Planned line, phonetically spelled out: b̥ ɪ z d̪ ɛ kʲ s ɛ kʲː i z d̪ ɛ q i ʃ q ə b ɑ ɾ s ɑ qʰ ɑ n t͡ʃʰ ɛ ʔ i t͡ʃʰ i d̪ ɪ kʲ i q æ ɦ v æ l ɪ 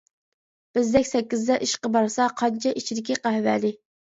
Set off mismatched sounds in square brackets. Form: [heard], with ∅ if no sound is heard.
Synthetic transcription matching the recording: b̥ ɪ z d̪ ɛ kʲ s ɛ kʲː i z d̪ ɛ [ʔ] i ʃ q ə b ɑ ɾ s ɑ qʰ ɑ n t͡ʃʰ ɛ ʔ i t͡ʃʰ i d̪ ɪ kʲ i q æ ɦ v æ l ɪ